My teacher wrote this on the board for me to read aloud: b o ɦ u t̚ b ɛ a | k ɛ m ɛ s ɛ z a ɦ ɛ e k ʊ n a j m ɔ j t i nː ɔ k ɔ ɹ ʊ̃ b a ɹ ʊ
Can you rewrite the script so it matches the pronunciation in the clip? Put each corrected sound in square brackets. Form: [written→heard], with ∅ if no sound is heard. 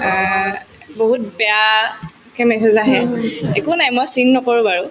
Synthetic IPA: b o ɦ u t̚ b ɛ a | k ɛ m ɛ s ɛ z a ɦ ɛ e k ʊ n a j m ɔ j [t→s] i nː ɔ k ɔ ɹ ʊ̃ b a ɹ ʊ